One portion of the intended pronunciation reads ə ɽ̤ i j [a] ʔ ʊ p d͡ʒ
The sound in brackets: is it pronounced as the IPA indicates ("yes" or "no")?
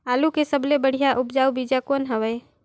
yes